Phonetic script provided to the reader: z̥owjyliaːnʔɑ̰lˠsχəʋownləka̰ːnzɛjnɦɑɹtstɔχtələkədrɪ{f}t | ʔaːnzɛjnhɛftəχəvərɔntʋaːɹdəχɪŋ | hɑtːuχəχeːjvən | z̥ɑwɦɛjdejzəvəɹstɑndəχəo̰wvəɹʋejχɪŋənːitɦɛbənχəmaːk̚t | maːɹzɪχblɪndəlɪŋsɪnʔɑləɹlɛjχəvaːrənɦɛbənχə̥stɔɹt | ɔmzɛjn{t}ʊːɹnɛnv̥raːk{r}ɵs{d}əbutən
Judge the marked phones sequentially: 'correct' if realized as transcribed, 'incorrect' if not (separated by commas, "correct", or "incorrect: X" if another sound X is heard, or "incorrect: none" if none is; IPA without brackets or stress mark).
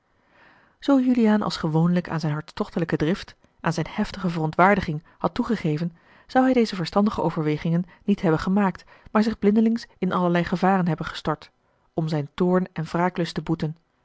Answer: correct, correct, incorrect: l, incorrect: t